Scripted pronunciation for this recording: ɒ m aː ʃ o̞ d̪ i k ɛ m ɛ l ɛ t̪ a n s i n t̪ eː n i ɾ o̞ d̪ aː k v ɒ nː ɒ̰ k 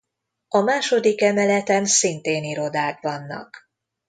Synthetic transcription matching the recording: ɒ m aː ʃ o̞ d̪ i k ɛ m ɛ l ɛ t̪ ɛ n s i n t̪ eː n i ɾ o̞ d̪ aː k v ɒ nː ɒ̰ k